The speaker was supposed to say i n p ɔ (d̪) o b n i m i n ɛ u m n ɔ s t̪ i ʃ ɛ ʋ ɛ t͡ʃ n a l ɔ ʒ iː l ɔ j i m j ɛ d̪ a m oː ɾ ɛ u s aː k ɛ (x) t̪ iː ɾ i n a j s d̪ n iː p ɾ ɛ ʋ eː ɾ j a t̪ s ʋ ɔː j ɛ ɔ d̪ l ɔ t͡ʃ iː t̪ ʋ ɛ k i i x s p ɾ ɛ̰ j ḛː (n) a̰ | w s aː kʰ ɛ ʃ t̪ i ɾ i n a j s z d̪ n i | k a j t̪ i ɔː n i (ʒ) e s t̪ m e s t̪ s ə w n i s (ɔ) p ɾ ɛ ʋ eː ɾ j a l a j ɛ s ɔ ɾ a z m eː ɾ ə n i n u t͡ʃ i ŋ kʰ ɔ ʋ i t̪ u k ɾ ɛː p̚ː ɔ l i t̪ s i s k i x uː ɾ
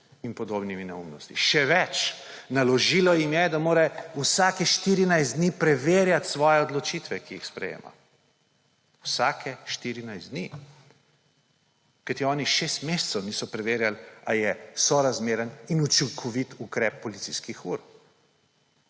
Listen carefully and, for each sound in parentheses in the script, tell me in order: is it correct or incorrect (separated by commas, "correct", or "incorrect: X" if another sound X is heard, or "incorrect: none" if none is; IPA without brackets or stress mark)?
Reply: correct, incorrect: ʃ, incorrect: m, incorrect: ʃ, correct